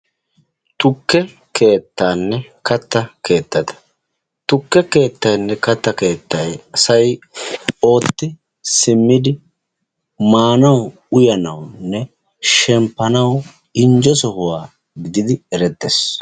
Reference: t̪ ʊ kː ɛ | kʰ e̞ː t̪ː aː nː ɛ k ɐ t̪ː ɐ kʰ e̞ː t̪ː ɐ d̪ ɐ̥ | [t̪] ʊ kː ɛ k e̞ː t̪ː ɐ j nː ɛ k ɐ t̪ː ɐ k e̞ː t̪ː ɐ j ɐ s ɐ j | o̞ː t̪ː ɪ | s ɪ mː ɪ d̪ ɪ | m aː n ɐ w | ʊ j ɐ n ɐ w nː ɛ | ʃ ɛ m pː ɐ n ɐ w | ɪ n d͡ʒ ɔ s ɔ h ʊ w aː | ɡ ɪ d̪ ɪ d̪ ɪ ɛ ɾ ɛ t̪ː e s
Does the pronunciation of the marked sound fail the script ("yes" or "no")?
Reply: no